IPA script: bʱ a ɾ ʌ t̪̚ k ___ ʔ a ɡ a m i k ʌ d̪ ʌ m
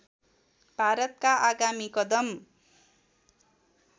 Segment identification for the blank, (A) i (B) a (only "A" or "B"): B